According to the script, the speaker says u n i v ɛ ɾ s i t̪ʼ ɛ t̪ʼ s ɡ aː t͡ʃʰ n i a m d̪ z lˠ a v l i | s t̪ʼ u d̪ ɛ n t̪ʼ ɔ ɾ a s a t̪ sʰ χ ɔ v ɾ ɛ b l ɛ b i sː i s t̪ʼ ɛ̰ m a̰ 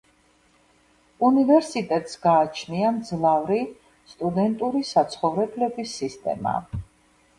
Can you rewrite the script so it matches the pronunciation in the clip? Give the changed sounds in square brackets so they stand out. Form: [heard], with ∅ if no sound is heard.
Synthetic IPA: u n i v ɛ ɾ s i t̪ʼ ɛ t̪ʼ s ɡ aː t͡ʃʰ n i a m d̪ z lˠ a v [ɾ] i | s t̪ʼ u d̪ ɛ n t̪ʼ [u] ɾ [i] s a t̪ sʰ χ ɔ v ɾ ɛ b l ɛ b i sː i s t̪ʼ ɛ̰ m a̰